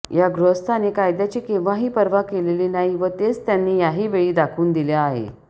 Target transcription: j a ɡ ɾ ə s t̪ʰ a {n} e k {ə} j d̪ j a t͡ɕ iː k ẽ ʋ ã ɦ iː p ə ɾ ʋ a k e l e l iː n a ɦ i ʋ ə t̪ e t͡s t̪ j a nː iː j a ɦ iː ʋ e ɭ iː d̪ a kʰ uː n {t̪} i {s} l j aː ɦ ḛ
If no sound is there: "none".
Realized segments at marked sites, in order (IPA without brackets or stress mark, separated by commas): n, a, d̪, none